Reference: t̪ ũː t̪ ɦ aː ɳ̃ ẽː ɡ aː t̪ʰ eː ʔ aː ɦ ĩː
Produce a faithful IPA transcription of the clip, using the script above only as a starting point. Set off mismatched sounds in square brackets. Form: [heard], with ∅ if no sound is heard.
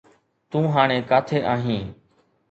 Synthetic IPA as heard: t̪ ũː [∅] ɦ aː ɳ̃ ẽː [k] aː t̪ʰ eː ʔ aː ɦ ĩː

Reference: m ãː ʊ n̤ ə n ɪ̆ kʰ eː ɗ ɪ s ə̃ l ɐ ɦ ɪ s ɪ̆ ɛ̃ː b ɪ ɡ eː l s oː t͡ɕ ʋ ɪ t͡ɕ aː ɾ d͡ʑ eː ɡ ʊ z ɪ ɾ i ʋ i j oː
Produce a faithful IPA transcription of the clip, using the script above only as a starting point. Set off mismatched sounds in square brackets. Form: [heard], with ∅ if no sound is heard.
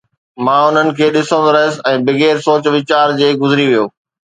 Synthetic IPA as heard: m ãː ʊ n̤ ə n ɪ̆ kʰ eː ɗ ɪ s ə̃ [ɾ] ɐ ɦ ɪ s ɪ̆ ɛ̃ː b ɪ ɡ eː [ɾ] s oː t͡ɕ ʋ ɪ t͡ɕ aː ɾ d͡ʑ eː ɡ ʊ z ɪ ɾ i ʋ i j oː

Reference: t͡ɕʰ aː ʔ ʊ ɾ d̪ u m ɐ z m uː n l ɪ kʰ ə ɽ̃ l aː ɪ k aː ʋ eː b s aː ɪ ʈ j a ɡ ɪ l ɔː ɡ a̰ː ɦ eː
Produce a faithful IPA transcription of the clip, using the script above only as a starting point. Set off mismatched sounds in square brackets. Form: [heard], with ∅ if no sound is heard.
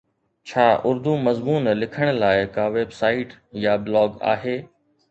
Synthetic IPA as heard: t͡ɕʰ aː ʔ ʊ ɾ d̪ u m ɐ z m uː n l ɪ kʰ ə ɽ̃ l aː ɪ k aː ʋ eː b s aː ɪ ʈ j a [b] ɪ l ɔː ɡ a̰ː ɦ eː

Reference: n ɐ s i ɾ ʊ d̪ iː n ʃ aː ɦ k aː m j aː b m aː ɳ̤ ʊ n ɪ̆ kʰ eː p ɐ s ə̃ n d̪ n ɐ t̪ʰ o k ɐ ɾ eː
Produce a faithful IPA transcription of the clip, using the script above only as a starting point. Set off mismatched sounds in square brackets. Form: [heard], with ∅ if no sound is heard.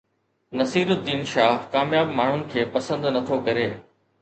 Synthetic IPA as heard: n ɐ s [iː] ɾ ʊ d̪ iː n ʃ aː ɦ k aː m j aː b m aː ɳ̤ ʊ n ɪ̆ kʰ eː p ɐ s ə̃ n d̪ n ɐ t̪ʰ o k ɐ ɾ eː

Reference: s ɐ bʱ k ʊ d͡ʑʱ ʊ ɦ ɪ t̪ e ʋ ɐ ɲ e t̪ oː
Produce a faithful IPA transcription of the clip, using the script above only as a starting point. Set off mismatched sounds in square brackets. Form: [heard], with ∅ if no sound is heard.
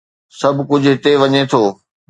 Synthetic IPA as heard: s ɐ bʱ k ʊ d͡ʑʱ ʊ ɦ ɪ t̪ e ʋ ɐ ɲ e [t̪ʰ] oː

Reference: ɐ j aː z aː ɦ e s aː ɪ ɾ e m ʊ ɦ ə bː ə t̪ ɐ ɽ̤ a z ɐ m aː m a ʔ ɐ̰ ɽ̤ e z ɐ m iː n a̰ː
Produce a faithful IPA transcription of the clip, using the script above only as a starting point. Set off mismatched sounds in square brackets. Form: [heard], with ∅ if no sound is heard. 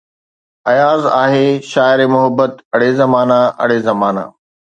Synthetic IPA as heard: ɐ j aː z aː ɦ e [ʃ] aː ɪ ɾ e m ʊ ɦ ə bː ə t̪ ɐ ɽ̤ [e] z ɐ m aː [n] a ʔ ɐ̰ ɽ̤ e z ɐ m [aː] n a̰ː

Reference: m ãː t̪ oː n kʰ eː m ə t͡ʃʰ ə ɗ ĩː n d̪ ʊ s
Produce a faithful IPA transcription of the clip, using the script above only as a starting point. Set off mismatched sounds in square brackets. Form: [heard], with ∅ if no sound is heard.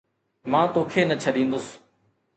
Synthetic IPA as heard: m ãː t̪ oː [∅] kʰ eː [n] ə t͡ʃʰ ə ɗ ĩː n d̪ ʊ s

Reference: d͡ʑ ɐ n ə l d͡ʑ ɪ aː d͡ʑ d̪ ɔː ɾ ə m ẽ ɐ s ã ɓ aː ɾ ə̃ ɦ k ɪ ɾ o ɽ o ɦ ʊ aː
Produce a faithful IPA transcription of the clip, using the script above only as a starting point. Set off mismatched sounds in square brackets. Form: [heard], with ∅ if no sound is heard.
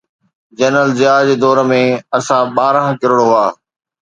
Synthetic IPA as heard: d͡ʑ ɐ n ə l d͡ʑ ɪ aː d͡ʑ d̪ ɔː ɾ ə m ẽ ɐ s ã ɓ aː ɾ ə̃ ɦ k ɪ ɾ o ɽ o ɦ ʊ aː

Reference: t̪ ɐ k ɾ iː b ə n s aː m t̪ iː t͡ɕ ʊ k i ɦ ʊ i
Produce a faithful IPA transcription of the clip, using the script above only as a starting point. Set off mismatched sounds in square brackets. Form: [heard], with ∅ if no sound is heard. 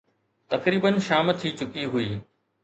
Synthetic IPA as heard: t̪ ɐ k ɾ iː b ə n [ʃ] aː m [t̪ʰ] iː t͡ɕ ʊ k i ɦ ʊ [iː]

